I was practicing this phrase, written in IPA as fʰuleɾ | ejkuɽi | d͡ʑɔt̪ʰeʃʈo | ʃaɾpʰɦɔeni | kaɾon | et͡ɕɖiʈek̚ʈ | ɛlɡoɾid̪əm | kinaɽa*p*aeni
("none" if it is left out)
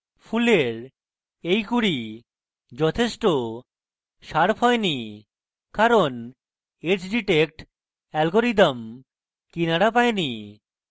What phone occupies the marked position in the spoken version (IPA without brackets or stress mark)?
p